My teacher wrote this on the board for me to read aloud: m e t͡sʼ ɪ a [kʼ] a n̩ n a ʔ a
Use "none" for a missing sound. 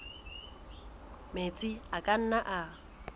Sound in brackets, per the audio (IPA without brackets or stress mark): kʼ